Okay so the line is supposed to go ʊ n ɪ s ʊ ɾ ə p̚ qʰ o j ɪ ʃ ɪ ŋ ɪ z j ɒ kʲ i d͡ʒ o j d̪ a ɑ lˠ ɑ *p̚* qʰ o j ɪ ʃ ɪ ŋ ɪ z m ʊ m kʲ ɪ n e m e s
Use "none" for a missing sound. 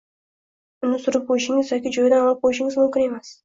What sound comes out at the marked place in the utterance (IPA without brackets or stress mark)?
p̚